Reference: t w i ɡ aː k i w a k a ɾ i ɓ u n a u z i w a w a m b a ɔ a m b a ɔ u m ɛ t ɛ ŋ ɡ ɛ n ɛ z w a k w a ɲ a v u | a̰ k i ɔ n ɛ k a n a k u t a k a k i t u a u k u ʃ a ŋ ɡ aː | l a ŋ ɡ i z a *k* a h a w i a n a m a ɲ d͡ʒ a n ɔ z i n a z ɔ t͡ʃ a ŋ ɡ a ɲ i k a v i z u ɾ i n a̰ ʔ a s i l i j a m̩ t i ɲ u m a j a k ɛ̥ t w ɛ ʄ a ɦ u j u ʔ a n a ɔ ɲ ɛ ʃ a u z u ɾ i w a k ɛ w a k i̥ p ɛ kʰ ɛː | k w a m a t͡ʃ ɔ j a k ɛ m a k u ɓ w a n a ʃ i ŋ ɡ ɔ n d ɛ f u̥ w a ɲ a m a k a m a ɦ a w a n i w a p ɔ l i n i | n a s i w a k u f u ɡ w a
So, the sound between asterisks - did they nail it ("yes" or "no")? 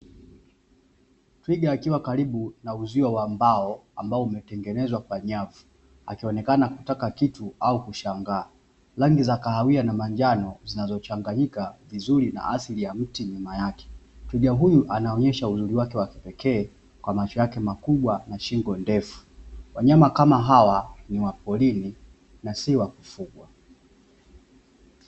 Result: yes